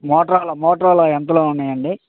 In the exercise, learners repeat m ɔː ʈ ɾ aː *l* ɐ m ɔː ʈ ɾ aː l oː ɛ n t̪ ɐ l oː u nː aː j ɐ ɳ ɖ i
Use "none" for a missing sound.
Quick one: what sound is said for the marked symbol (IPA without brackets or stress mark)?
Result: l